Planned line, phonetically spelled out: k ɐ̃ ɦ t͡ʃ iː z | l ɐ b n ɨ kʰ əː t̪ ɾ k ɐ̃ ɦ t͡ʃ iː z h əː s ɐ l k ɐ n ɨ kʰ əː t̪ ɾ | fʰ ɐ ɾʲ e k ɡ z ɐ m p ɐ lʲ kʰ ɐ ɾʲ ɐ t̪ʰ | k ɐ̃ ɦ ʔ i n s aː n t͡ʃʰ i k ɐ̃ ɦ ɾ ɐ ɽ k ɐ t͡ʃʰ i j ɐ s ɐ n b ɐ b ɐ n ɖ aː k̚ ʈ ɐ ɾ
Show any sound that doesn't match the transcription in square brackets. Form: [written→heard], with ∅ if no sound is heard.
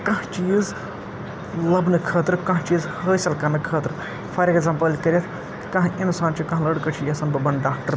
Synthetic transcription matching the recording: k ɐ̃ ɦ t͡ʃ iː z | l ɐ b n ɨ kʰ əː t̪ ɾ k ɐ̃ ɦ t͡ʃ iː z h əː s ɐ l k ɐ n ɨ kʰ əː t̪ ɾ | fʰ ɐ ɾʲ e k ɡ z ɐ m p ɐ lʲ [kʰ→k] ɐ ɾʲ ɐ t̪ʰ | k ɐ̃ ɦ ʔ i n s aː n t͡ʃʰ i k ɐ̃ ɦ [ɾ→l] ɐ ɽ k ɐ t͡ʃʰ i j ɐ s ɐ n b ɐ b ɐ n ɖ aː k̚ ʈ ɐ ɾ